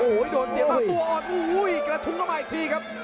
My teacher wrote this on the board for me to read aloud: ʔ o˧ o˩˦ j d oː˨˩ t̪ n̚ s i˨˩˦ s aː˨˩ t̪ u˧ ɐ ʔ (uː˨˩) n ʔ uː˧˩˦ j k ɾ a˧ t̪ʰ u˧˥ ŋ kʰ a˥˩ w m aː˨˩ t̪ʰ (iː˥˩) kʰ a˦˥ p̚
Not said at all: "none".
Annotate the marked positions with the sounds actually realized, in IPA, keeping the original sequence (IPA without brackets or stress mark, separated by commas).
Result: ɔː˨˩, iː˧